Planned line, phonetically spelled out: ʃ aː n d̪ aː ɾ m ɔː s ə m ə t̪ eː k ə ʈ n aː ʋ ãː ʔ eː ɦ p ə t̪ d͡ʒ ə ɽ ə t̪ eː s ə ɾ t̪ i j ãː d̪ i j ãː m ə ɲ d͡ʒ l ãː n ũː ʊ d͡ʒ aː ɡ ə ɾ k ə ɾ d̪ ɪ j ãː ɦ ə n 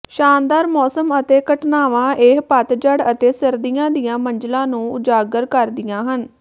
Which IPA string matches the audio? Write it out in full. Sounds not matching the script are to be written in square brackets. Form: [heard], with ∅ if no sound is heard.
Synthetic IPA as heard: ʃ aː n d̪ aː ɾ m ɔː s ə m ə t̪ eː k ə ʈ n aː ʋ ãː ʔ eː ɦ p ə t̪ d͡ʒ ə ɽ ə t̪ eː s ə ɾ [d̪] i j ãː d̪ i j ãː m ə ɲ d͡ʒ l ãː n ũː ʊ d͡ʒ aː ɡ ə ɾ k ə ɾ d̪ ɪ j ãː ɦ ə n